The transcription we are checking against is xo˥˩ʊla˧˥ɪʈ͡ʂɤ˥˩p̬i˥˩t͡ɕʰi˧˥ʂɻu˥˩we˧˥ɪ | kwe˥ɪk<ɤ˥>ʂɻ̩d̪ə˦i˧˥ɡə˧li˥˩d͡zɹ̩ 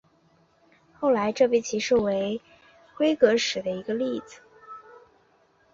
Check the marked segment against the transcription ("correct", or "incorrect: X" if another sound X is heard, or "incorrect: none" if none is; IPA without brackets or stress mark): incorrect: ɤ˧˥